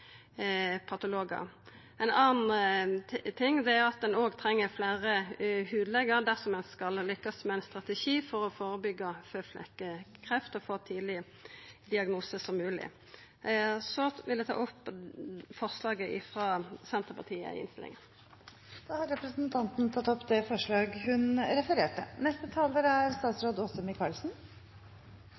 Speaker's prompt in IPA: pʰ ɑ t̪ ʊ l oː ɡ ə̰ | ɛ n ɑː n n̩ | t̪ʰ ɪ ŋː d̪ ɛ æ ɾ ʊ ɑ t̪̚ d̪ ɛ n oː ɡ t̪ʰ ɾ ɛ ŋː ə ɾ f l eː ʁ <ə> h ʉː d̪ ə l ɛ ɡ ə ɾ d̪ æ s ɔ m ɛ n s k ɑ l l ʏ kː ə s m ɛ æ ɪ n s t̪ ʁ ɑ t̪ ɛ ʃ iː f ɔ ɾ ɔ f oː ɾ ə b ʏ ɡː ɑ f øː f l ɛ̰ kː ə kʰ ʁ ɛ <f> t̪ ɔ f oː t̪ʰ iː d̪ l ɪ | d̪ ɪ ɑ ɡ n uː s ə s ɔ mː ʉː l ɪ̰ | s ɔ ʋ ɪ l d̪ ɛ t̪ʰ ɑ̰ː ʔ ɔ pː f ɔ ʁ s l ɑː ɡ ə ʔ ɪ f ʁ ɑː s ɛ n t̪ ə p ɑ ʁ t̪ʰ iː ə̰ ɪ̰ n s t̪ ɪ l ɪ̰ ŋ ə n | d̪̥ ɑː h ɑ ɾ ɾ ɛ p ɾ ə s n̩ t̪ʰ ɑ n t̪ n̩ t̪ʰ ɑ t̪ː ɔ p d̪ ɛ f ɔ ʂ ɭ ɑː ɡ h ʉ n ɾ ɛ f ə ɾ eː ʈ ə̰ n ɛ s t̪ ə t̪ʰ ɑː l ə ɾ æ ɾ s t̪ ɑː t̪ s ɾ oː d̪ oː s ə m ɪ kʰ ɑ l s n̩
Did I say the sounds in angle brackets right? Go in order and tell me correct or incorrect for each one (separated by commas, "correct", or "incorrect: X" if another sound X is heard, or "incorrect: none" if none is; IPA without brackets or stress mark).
correct, correct